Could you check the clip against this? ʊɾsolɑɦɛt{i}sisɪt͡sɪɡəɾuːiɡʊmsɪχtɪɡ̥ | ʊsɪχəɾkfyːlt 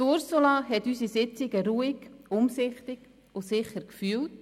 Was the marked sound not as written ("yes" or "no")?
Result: yes